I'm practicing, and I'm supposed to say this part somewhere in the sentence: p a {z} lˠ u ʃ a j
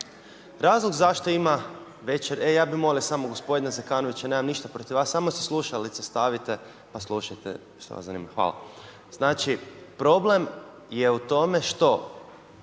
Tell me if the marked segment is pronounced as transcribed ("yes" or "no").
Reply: no